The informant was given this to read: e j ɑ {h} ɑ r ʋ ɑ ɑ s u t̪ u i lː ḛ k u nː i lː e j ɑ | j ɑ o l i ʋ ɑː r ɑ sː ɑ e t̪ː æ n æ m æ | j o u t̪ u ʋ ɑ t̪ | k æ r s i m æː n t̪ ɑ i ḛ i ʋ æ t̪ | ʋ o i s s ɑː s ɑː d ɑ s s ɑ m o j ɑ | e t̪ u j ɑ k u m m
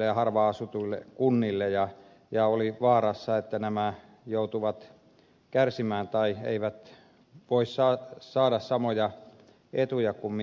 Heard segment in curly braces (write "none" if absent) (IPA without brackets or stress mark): h